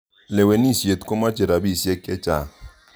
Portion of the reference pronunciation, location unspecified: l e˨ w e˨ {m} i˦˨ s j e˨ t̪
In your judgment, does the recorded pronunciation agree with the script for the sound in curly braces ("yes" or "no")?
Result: no